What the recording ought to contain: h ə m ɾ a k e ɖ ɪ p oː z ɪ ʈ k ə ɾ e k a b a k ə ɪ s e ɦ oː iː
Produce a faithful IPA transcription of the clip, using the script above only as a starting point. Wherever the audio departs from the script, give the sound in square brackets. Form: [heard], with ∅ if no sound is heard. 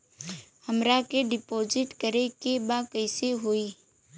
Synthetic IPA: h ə m ɾ a k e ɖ ɪ p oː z ɪ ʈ k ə ɾ e k [e] b a k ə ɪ s e ɦ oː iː